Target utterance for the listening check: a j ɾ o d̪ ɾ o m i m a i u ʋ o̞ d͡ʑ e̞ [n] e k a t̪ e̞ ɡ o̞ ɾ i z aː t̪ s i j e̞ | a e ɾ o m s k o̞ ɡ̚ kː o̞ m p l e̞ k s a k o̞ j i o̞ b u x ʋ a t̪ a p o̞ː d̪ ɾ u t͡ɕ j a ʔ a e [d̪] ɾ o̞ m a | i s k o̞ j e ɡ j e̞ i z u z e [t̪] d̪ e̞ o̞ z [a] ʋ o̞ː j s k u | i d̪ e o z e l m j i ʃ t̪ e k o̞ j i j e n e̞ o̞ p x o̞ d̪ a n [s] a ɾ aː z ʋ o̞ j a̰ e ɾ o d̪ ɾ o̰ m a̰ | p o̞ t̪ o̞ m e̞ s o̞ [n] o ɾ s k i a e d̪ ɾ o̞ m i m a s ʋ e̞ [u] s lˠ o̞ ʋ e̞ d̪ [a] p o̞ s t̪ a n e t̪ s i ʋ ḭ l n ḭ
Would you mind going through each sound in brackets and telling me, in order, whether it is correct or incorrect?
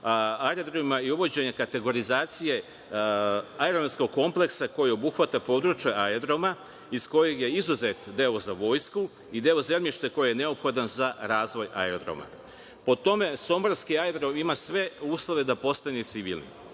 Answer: incorrect: ɲ, correct, correct, correct, incorrect: z, incorrect: m, incorrect: uː, correct

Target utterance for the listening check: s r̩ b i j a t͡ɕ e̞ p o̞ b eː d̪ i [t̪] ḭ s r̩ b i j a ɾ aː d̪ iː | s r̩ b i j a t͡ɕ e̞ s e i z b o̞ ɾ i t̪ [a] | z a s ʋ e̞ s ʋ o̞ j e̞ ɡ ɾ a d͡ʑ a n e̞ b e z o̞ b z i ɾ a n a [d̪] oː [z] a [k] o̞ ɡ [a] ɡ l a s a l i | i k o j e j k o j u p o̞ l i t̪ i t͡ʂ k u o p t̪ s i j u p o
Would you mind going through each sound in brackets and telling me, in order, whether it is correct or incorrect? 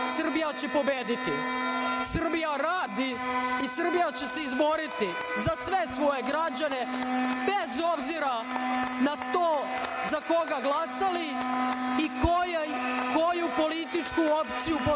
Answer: correct, incorrect: i, incorrect: t̪, correct, correct, correct

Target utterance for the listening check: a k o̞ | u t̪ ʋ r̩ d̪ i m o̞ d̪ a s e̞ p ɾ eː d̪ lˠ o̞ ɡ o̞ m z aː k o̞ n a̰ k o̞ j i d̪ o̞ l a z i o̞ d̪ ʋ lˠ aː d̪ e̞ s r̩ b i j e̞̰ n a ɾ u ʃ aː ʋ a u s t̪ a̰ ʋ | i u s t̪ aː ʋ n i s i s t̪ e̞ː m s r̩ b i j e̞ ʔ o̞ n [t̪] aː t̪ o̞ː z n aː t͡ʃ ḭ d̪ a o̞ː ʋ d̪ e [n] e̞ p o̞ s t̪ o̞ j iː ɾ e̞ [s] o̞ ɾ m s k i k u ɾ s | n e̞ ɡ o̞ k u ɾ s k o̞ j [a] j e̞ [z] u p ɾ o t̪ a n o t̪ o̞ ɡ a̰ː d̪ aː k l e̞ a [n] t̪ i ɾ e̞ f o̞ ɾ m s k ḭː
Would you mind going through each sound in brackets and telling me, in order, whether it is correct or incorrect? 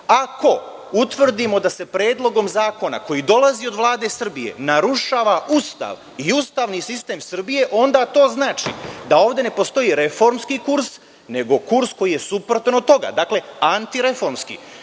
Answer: incorrect: d̪, correct, incorrect: f, incorrect: i, incorrect: s, correct

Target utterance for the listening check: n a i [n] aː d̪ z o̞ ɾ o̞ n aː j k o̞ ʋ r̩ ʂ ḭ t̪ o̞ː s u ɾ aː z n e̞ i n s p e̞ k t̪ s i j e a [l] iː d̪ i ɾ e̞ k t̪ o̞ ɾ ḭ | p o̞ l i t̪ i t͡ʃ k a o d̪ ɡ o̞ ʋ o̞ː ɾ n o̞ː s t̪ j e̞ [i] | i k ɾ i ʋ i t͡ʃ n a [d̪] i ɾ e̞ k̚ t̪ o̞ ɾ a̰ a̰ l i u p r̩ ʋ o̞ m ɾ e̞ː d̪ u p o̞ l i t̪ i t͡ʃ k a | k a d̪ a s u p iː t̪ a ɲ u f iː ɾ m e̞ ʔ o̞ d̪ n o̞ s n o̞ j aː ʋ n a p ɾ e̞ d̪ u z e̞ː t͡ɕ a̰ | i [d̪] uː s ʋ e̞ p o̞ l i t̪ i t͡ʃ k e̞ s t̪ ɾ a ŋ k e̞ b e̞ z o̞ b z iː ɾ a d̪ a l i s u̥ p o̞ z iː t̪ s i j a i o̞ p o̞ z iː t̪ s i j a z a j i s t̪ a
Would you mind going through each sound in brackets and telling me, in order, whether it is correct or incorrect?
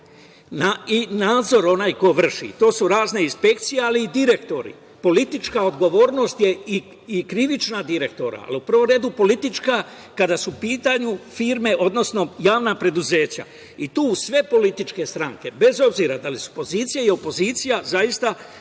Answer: correct, correct, correct, correct, incorrect: t̪

